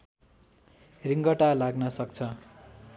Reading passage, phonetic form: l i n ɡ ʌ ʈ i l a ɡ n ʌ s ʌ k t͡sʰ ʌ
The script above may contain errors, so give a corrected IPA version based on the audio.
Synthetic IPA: r i ŋ ɡ ʌ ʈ a l a ɡ n ʌ s ʌ k t͡sʰ ʌ